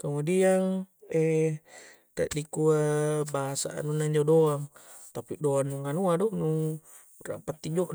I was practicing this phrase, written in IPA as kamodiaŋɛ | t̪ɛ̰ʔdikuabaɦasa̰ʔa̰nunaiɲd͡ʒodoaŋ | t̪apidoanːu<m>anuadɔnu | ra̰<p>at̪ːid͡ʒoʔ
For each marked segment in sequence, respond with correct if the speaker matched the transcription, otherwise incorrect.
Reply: incorrect: ŋ, correct

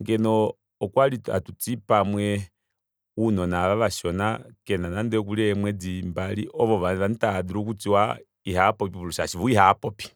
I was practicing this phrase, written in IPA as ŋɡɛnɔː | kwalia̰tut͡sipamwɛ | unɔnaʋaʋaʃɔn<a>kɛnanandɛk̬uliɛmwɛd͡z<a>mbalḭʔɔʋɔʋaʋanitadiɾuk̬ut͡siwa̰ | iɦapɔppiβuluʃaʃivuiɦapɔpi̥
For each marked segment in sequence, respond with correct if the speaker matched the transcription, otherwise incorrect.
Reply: correct, incorrect: i

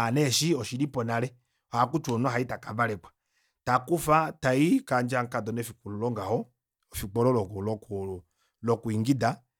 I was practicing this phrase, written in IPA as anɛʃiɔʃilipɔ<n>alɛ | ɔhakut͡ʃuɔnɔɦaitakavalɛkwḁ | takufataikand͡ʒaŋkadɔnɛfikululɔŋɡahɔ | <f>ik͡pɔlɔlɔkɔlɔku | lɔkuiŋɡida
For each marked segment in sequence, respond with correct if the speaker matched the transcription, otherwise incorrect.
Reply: correct, correct

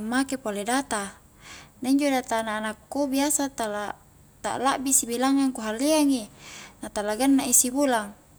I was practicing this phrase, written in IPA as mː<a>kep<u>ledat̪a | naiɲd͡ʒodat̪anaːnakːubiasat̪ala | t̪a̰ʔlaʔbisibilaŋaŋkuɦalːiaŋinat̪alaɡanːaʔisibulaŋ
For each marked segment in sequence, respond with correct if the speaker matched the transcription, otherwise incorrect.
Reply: correct, incorrect: o

